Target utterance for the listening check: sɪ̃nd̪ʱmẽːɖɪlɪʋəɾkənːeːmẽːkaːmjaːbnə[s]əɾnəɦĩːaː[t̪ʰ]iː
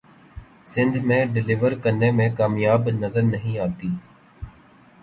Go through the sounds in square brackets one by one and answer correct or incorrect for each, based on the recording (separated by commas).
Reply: incorrect, incorrect